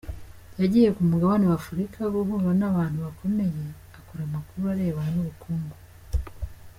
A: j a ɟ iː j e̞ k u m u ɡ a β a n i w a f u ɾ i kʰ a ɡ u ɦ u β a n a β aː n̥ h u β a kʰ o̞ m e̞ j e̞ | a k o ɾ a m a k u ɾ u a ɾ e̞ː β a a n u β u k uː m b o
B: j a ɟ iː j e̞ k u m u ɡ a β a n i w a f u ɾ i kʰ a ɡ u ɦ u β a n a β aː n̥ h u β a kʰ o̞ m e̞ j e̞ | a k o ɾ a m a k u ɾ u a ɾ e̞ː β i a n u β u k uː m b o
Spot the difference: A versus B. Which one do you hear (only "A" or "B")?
A